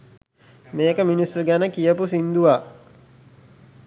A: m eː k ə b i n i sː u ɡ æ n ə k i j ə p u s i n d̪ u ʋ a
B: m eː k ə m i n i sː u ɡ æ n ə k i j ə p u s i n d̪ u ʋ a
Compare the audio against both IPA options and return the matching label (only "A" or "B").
B